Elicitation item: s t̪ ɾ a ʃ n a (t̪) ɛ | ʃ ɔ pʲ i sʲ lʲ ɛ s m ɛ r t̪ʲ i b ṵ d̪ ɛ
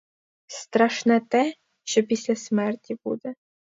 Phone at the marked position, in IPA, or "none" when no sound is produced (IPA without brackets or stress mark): t̪